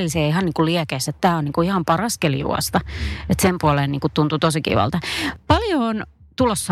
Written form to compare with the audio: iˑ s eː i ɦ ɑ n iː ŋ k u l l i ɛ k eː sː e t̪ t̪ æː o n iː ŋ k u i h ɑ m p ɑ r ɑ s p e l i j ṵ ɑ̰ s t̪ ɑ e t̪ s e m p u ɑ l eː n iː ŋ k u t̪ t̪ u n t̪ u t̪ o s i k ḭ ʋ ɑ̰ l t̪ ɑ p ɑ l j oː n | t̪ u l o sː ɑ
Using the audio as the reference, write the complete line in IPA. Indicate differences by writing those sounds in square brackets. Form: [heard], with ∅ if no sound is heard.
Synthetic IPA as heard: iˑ s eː i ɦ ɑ n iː ŋ k u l l i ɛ k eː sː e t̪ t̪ æː o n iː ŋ k u i h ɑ m p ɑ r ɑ s [k] e l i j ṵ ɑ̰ s t̪ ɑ e t̪ s e m p u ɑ l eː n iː ŋ k u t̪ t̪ u n t̪ u t̪ o s i k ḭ ʋ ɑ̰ l t̪ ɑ p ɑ l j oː n | t̪ u l o sː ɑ